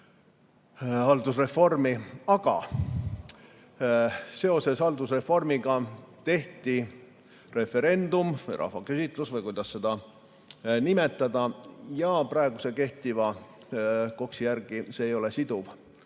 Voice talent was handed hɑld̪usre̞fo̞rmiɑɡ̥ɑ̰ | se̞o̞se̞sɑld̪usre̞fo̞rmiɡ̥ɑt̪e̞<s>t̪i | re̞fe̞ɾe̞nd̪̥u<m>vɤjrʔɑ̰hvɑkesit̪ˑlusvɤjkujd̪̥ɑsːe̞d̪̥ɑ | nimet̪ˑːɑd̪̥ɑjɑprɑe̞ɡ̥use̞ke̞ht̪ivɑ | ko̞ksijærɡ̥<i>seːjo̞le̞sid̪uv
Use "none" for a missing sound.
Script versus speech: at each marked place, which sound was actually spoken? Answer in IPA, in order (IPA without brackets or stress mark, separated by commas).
h, m, i